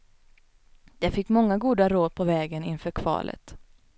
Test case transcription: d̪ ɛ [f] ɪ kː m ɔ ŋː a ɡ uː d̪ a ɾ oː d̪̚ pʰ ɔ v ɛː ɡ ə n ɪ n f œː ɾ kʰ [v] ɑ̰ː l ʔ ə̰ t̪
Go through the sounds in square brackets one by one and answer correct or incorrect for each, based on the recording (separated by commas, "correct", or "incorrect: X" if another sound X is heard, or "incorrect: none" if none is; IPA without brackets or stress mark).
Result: correct, correct